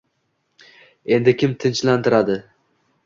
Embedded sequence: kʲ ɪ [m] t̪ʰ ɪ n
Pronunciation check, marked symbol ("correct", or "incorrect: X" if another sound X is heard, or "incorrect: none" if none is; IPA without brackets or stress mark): correct